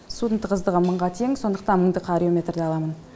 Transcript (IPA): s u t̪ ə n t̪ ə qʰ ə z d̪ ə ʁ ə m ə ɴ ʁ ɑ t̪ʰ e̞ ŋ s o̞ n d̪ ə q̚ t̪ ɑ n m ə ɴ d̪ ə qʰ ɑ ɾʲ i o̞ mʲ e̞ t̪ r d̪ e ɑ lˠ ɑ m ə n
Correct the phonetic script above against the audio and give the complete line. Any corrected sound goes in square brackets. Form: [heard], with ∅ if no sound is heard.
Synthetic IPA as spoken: s u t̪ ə n t̪ ə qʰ ə z d̪ ə ʁ ə m ə ɴ ʁ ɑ t̪ʰ e̞ ŋ s o̞ n d̪ ə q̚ t̪ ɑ n m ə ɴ d̪ ə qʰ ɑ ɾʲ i o̞ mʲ e̞ t̪ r d̪ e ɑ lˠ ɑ m ə n